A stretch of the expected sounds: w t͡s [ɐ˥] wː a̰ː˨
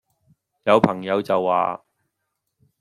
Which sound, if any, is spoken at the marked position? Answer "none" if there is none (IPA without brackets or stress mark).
ɐ˨